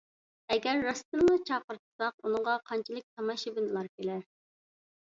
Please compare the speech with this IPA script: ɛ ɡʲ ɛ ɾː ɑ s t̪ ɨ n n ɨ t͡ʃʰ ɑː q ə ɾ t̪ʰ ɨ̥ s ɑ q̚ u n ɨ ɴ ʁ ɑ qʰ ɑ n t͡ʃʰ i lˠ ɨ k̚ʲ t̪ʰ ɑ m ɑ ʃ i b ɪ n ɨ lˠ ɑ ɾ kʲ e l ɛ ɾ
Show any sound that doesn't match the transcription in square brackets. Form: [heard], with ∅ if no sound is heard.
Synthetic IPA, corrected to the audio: ɛ ɡʲ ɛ ɾː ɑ s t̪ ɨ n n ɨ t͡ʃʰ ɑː q ə ɾ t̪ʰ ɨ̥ s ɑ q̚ u n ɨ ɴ ʁ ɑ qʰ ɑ n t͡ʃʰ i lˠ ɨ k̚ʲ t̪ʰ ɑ m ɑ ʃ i b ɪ n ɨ lˠ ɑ ɾ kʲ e l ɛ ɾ

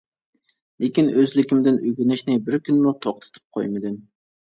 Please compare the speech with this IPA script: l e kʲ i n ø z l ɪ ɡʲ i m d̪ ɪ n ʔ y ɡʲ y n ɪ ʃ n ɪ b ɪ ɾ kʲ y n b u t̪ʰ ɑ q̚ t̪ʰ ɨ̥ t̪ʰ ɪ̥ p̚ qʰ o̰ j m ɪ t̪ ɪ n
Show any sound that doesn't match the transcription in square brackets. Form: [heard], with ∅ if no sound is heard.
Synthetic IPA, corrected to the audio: l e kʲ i n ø z l ɪ [kʲ] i m d̪ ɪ n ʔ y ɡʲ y n ɪ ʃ n ɪ b ɪ ɾ kʲ y n [m] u t̪ʰ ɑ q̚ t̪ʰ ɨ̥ t̪ʰ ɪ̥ p̚ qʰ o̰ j m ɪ [d̪] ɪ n

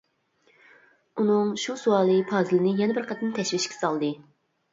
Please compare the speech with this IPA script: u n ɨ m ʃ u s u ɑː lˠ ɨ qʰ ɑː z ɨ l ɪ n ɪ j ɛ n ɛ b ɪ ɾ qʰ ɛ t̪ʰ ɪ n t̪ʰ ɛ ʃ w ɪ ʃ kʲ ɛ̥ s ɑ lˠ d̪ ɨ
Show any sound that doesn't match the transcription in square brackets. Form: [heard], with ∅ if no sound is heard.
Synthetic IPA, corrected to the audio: u n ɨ [ŋ] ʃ u s u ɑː lˠ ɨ [pʰ] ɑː z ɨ l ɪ n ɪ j ɛ n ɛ b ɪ ɾ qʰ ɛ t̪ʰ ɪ n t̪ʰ ɛ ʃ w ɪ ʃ kʲ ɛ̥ s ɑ lˠ d̪ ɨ

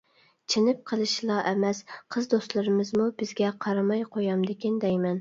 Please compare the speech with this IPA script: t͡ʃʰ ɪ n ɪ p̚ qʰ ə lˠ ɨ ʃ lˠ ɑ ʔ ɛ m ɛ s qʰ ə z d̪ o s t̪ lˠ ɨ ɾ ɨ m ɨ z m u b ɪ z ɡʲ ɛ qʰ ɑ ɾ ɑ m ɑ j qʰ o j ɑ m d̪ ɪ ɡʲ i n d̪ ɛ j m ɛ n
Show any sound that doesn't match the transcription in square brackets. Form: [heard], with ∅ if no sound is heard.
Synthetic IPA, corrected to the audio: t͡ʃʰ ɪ n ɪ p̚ qʰ ə lˠ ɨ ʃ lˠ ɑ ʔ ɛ m ɛ s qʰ ə z d̪ o s t̪ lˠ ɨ ɾ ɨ m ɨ z m u b ɪ z ɡʲ ɛ qʰ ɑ ɾ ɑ m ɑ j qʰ o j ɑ m d̪ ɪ [kʲ] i n d̪ ɛ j m ɛ n

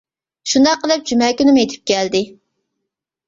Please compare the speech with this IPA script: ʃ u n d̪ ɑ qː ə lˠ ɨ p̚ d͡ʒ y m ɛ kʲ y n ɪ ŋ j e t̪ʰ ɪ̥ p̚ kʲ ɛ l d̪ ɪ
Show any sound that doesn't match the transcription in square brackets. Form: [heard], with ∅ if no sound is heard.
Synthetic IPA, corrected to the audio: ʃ u n d̪ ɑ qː ə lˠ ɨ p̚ d͡ʒ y m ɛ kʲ y n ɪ [m] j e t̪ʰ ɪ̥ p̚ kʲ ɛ l d̪ ɪ

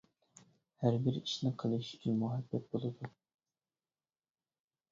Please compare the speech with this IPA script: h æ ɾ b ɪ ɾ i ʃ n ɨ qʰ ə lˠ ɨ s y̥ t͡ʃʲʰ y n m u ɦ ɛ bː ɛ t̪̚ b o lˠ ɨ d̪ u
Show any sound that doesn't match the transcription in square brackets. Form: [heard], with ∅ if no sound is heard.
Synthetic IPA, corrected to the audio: h æ ɾ b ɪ ɾ i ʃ n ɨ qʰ ə lˠ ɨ [ʃ] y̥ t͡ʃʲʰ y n m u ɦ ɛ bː ɛ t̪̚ b o lˠ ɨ d̪ u

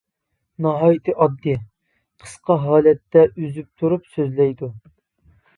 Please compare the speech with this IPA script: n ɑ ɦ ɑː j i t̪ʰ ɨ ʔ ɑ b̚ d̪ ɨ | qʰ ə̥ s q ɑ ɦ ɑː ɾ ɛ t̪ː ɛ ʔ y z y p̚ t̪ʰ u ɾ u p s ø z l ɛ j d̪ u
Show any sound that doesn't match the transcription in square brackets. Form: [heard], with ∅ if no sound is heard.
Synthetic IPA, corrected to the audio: n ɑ ɦ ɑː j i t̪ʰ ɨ ʔ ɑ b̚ d̪ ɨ | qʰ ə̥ s q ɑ ɦ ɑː [l] ɛ t̪ː ɛ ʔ y z y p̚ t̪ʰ u ɾ u p s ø z l ɛ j d̪ u

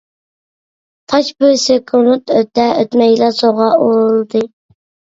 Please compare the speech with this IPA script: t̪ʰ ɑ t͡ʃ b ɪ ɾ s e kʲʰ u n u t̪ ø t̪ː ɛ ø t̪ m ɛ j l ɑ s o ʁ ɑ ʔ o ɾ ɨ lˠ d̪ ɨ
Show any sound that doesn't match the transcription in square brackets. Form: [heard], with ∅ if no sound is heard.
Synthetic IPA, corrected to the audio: t̪ʰ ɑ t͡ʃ b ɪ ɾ s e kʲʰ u n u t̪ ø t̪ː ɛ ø t̪ m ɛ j l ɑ s o ʁ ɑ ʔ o ɾ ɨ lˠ d̪ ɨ

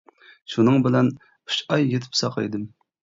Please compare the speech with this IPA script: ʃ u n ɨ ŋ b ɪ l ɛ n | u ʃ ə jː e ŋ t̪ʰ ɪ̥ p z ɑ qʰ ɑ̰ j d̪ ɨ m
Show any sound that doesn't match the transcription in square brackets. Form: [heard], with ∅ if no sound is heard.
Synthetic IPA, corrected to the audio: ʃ u n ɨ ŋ b ɪ l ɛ n | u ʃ [ɑ] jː e [∅] t̪ʰ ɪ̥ p [s] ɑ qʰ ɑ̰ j d̪ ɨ m

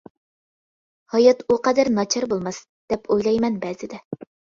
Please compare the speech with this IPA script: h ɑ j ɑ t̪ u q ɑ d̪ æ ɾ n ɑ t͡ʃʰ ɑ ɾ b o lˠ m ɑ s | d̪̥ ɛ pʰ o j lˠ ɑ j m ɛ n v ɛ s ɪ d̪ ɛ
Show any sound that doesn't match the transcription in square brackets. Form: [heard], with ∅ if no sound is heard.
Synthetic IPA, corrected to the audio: h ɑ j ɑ t̪ u q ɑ d̪ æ ɾ n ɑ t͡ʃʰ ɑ ɾ b o lˠ m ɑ s | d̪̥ ɛ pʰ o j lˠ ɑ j m ɛ n [b] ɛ [z] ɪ d̪ ɛ

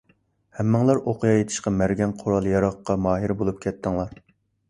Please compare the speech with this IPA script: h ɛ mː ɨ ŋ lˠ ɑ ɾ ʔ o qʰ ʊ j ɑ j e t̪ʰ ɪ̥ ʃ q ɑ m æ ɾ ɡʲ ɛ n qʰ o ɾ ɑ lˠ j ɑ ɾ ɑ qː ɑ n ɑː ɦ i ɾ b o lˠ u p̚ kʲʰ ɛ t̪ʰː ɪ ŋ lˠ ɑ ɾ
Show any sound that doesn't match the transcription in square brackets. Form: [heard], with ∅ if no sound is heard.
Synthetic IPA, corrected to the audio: h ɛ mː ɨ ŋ lˠ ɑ ɾ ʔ o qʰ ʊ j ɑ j e t̪ʰ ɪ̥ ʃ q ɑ m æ ɾ ɡʲ ɛ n qʰ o ɾ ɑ lˠ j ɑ ɾ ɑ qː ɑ [m] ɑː ɦ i ɾ b o lˠ u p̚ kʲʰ ɛ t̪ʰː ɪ ŋ lˠ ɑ ɾ

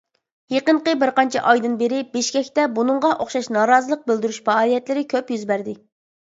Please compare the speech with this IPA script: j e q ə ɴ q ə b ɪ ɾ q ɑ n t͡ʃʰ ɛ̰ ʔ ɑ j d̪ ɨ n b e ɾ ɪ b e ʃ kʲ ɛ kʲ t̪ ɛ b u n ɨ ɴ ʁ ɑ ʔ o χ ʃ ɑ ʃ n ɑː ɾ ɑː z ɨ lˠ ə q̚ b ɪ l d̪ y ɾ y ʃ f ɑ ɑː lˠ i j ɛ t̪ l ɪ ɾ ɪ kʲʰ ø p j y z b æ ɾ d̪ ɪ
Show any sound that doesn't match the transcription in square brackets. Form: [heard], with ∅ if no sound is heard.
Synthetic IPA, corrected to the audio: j e q ə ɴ q ə b ɪ ɾ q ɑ n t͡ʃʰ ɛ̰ ʔ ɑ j d̪ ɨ n b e ɾ ɪ b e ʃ kʲ ɛ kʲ t̪ ɛ b u n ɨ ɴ ʁ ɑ ʔ o χ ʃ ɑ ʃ n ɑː ɾ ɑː z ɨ lˠ ə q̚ b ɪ l d̪ y ɾ y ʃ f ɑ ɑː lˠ i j ɛ t̪ l ɪ ɾ ɪ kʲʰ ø p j y z b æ ɾ d̪ ɪ

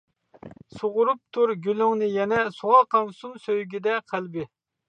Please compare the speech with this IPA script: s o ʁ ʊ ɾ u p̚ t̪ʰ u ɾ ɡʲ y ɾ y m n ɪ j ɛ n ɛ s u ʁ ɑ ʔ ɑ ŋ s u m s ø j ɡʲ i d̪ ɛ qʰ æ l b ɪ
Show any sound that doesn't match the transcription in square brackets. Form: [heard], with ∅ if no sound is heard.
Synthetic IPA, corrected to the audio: s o ʁ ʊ ɾ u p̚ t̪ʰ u ɾ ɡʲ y [l] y [ŋ] n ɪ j ɛ n ɛ s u ʁ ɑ [q] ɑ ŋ s u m s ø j ɡʲ i d̪ ɛ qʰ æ l b ɪ

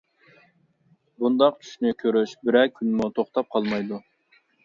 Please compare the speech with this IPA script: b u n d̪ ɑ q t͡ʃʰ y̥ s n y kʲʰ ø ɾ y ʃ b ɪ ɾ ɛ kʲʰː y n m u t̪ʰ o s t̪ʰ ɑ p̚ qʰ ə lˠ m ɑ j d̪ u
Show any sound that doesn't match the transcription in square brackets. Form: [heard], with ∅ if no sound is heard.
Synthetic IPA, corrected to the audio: b u n d̪ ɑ q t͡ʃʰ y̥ [ʃ] n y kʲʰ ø ɾ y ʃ b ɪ ɾ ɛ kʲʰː y n m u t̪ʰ o [χ] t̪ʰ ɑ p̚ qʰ [ɑ] lˠ m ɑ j d̪ u

